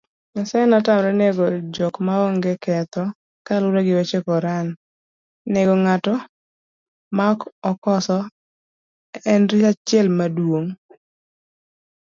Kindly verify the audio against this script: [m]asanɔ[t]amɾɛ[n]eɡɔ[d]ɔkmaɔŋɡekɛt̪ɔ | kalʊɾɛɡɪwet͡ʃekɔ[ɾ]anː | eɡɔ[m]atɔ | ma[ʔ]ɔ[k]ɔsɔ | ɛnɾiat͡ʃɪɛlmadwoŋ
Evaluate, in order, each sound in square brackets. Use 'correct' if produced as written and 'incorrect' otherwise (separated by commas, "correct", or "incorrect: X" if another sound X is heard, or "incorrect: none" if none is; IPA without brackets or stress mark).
incorrect: ɲ, correct, correct, incorrect: d͡ʒ, correct, incorrect: ŋ, incorrect: k, correct